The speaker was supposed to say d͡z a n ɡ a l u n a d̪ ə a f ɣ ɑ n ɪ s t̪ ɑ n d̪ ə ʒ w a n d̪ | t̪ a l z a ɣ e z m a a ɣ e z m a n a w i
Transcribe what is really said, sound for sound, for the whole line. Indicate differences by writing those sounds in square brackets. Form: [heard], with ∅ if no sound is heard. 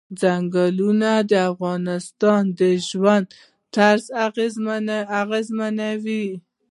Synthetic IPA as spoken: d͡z a [ŋ] ɡ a l u n a d̪ ə a f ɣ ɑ n ɪ s t̪ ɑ n d̪ ə ʒ w a n d̪ | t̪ a [ɾ] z a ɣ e z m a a ɣ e z m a n a w i